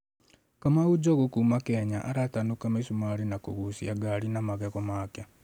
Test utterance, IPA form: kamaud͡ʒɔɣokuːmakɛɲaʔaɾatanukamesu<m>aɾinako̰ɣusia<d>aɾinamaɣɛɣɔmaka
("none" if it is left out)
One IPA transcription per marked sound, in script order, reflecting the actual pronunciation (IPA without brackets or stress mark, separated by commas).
m, ɡ